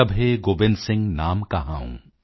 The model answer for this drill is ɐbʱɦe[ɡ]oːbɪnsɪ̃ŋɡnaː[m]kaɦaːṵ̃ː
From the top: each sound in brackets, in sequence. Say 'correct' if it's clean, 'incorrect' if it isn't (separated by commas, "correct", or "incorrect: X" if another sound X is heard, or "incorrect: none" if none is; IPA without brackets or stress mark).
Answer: correct, correct